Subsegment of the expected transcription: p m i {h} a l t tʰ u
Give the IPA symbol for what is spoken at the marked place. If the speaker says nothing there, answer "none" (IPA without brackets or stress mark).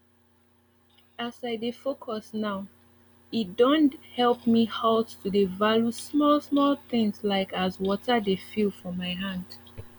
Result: h